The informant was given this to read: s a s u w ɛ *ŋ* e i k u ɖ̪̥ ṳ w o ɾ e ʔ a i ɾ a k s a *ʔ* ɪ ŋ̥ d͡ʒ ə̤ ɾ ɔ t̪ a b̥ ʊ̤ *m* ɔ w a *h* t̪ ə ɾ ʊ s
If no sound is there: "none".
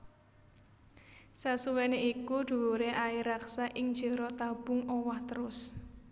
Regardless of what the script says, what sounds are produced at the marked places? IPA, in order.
n, ʔ, ŋ, h

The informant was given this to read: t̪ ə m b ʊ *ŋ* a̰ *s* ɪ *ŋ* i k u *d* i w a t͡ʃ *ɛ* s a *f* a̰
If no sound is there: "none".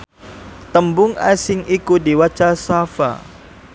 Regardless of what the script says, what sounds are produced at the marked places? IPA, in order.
ŋ, s, ŋ, d, a, f

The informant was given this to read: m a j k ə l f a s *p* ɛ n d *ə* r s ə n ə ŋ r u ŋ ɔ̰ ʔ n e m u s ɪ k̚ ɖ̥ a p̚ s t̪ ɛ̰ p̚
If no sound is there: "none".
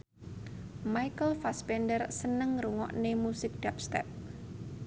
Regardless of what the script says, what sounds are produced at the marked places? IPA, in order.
p, ə

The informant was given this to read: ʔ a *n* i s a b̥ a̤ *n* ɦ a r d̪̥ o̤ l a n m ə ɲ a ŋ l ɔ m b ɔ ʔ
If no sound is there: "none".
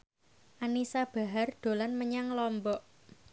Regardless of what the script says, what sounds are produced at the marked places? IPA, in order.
n, none

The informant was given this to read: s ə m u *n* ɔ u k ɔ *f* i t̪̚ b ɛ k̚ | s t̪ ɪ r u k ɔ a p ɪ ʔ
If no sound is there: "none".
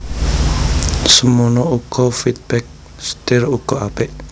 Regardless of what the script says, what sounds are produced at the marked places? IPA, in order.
n, f

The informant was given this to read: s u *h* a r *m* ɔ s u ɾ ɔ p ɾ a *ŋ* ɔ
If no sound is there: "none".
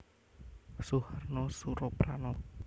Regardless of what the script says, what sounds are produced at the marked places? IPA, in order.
h, n, n

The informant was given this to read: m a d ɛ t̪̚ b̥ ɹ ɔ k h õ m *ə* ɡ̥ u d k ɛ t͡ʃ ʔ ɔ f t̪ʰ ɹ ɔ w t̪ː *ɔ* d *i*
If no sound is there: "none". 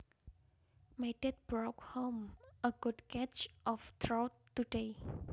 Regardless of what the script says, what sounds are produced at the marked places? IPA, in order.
ə, u, e

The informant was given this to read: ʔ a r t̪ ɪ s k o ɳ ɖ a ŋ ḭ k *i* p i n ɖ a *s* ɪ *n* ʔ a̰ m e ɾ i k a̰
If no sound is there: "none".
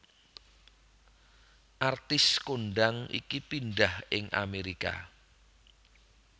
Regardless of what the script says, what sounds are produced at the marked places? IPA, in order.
i, h, ŋ

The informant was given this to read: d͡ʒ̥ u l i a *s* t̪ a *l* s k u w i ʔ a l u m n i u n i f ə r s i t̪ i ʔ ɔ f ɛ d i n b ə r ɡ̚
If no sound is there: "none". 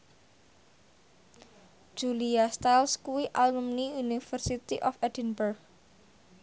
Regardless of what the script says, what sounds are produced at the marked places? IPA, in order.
s, l

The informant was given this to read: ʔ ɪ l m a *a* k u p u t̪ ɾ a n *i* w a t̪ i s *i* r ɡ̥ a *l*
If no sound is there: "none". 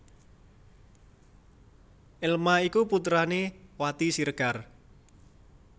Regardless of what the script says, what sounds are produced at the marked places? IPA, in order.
i, e, i, r

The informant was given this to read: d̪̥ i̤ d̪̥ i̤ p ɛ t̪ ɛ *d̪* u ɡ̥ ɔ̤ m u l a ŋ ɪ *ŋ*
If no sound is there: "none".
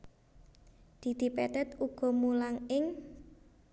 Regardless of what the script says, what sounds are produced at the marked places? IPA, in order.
t̪, ŋ

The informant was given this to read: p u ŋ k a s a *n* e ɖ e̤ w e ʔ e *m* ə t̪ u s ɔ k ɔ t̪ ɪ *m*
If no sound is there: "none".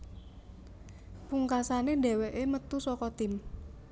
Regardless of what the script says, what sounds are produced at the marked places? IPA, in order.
n, m, m

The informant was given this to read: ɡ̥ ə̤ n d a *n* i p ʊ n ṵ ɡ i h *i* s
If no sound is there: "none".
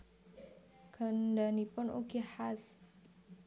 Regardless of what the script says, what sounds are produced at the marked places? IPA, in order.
n, a

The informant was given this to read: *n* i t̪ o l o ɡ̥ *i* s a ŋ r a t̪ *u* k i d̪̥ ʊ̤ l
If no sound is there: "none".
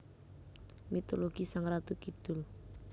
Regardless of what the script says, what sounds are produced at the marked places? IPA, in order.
m, i, u

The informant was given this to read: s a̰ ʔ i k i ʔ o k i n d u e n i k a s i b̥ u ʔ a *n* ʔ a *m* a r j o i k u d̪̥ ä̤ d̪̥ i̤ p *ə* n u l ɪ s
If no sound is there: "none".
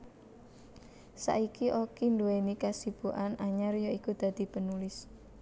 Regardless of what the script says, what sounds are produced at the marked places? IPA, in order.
n, ɲ, ə

